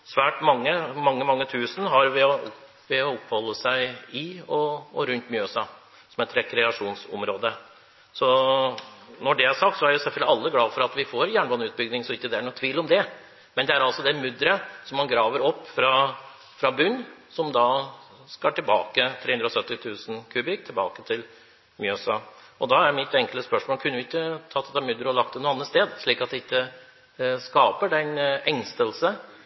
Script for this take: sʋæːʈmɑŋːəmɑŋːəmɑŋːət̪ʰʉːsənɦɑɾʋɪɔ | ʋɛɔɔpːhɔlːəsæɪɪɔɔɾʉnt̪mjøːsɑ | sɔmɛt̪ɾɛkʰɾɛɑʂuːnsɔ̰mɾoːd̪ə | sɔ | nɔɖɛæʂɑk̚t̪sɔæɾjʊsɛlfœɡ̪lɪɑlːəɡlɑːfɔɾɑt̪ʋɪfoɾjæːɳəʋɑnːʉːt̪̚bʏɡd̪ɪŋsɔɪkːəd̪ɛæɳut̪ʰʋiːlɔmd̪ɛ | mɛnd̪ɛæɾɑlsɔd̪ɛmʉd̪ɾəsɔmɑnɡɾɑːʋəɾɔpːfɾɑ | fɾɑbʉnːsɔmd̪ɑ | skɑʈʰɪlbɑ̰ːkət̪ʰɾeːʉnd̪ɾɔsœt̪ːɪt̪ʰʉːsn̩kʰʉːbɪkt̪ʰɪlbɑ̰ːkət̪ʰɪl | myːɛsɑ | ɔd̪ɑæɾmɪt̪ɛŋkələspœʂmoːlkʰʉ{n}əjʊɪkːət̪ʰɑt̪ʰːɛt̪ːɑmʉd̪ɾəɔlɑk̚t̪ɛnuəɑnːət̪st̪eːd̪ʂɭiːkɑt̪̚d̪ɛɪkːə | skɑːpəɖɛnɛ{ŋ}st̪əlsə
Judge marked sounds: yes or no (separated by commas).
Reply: no, yes